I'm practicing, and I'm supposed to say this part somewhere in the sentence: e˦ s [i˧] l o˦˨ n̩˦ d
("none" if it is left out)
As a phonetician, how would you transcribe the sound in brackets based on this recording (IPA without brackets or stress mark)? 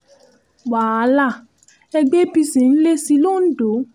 i˧